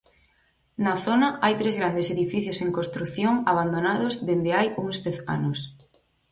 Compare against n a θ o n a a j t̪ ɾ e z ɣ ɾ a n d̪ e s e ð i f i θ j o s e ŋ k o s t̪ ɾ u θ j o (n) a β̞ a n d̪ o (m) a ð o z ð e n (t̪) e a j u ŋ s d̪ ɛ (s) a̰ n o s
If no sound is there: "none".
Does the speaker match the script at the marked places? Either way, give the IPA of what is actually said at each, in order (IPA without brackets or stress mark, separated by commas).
ŋ, n, d̪, θ